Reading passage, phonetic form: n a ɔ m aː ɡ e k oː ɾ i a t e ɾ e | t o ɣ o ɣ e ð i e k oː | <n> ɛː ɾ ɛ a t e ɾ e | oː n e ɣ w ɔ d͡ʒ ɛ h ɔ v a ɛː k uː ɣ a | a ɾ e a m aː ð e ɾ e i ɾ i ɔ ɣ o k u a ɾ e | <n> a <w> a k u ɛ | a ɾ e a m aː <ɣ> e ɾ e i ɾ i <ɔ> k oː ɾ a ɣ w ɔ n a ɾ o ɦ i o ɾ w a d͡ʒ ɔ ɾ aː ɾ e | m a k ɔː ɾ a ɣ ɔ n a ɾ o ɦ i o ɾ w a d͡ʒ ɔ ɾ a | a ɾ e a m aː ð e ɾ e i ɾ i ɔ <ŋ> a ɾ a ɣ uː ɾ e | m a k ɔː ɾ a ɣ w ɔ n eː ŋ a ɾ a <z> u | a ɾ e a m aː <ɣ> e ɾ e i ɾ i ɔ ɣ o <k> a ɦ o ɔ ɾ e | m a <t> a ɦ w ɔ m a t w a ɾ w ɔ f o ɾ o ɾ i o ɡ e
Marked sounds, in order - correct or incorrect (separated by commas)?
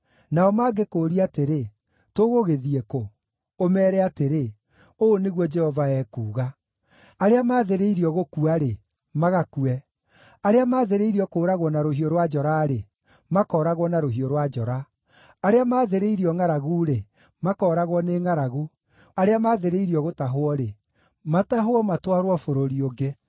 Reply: incorrect, incorrect, incorrect, incorrect, correct, correct, incorrect, incorrect, incorrect, correct